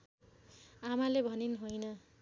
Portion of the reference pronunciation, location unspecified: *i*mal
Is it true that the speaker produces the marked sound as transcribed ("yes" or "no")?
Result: no